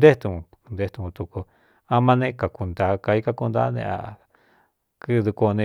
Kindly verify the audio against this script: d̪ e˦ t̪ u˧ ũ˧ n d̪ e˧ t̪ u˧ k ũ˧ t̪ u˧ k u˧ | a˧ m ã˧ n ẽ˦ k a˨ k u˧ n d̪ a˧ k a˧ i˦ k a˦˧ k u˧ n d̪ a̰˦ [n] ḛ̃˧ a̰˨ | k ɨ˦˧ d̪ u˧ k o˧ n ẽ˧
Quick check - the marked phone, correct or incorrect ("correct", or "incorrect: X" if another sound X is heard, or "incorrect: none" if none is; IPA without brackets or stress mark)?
correct